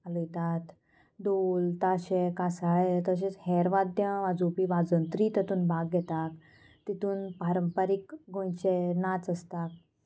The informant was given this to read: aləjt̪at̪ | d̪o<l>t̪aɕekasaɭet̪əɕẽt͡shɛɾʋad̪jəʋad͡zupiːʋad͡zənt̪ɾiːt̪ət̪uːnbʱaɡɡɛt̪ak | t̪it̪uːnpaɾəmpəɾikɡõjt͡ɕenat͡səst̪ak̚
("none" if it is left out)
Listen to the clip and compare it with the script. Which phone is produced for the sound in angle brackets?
l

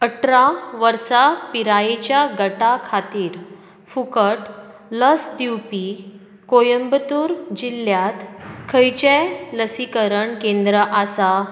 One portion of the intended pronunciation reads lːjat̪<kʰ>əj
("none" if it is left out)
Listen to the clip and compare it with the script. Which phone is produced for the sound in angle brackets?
kʰ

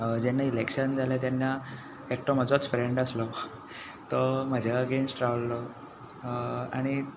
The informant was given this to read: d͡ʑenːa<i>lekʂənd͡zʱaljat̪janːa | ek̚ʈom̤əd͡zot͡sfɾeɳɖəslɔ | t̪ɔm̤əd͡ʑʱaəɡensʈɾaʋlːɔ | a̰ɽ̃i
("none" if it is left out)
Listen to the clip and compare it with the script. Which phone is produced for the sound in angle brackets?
i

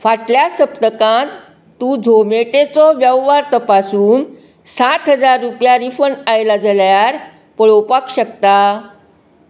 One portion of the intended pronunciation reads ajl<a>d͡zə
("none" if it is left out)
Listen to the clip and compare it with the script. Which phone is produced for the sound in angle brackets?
a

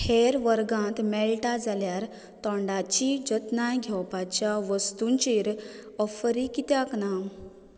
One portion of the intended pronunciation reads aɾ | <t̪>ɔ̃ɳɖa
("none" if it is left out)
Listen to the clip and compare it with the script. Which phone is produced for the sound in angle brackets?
t̪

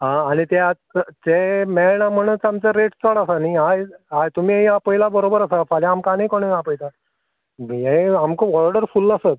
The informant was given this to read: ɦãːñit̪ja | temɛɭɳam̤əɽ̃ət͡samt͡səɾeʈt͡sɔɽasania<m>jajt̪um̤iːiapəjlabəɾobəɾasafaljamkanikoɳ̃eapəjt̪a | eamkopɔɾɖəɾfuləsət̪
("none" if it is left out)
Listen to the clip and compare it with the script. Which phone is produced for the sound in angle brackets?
none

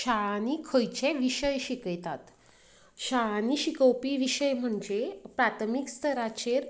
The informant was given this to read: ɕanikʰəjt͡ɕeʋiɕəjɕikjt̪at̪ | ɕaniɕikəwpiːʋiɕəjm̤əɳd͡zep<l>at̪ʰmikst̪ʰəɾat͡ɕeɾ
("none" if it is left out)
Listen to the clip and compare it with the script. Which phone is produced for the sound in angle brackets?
ɾ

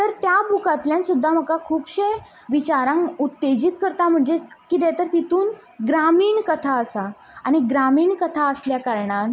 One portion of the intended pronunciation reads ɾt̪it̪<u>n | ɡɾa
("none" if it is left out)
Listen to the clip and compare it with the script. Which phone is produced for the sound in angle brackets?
uː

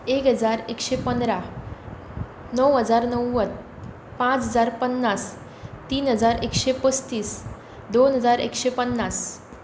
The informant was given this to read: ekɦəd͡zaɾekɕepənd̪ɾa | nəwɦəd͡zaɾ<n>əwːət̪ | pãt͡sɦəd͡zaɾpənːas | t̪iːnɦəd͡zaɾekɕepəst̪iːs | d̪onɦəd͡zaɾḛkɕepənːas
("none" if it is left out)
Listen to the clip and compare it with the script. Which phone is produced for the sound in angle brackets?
n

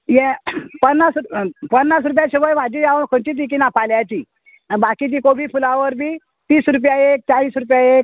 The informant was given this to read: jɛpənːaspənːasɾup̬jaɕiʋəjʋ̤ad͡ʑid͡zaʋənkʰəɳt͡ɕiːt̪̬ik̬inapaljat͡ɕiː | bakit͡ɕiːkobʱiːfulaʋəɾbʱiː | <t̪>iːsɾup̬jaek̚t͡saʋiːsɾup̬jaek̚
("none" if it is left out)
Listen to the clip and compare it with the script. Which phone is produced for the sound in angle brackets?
t̪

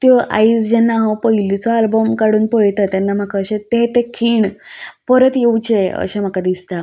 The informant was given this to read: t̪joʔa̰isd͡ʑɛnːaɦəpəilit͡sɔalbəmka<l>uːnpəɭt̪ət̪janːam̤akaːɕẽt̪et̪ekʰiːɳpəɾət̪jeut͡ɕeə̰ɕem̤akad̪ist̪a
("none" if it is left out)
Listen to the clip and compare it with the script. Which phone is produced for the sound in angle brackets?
ɽ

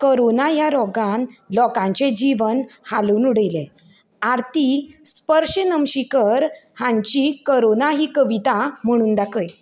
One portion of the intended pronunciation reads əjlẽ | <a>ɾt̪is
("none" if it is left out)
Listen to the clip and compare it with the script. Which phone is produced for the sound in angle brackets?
a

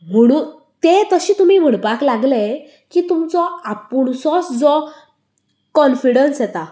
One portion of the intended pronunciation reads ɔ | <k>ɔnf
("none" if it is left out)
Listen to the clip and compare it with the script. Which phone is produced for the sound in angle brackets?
k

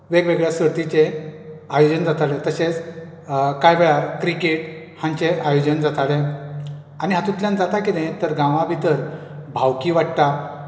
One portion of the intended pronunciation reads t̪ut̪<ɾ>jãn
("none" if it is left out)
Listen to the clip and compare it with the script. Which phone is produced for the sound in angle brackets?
l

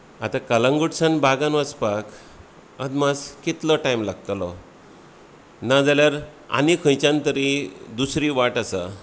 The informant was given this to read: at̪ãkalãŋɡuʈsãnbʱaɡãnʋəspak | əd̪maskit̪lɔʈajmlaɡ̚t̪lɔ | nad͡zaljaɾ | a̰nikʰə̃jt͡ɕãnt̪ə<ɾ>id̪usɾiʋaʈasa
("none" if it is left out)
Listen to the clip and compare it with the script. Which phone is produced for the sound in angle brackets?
ɾ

